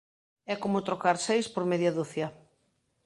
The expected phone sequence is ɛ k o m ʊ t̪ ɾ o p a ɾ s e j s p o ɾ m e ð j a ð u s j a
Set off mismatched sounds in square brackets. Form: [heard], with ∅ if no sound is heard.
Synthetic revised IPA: ɛ k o m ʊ t̪ ɾ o [k] a ɾ s e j s p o ɾ m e ð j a ð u [θ] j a